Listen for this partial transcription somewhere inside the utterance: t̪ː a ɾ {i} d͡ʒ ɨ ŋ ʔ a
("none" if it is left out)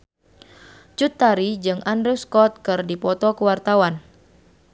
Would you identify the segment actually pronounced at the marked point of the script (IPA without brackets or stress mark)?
i